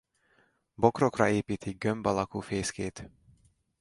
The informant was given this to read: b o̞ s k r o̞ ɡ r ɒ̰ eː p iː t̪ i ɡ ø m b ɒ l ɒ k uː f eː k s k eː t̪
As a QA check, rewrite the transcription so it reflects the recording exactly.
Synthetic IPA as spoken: b o̞ k r o̞ k r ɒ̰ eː p iː t̪ i ɡ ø m b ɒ l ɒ k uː f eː s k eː t̪